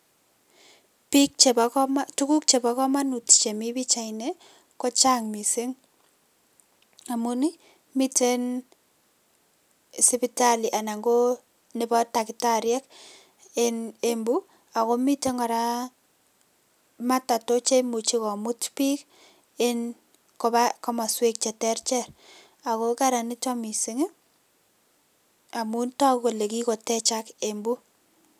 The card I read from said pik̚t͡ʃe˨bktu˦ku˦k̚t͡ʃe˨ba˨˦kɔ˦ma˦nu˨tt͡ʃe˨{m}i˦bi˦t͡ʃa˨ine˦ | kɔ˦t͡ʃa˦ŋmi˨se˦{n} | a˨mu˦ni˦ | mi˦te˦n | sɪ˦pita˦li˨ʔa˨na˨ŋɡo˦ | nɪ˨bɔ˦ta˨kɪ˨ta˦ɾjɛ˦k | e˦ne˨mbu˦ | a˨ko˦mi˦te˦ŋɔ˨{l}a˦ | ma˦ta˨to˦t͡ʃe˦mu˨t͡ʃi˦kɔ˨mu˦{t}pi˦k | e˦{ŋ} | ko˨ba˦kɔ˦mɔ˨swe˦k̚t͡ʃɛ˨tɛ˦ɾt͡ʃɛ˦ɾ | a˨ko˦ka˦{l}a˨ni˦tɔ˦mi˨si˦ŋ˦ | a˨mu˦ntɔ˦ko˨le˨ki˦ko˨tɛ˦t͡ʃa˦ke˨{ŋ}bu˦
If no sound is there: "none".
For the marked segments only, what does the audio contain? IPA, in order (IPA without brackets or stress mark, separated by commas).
m, ŋ, ɾ, t, n, ɾ, m